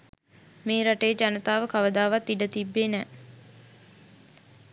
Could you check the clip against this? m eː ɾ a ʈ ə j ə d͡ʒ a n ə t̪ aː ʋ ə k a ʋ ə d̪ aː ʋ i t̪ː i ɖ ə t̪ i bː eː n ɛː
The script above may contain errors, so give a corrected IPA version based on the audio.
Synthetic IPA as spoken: m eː ɾ a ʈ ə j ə d͡ʒ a n ə t̪ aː ʋ ə k a ʋ ə d̪ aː ʋ a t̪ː i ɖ ə t̪ i bː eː n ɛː